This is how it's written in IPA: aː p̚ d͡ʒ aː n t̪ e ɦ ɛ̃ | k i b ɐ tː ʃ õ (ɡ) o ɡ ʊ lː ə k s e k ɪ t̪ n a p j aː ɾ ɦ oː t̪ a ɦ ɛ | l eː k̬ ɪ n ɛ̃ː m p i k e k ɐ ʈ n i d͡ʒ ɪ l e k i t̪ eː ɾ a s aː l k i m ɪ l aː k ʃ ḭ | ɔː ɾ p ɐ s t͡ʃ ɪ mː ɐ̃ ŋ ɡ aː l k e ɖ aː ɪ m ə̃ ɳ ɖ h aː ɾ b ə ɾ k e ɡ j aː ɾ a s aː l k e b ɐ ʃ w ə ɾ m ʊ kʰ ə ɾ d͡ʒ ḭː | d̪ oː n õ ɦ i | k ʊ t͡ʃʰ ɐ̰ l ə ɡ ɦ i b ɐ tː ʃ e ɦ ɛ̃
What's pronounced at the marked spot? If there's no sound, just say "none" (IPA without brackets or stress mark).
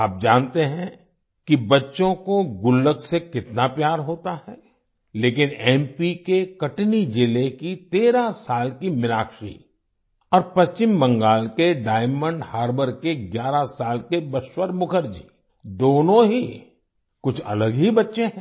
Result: k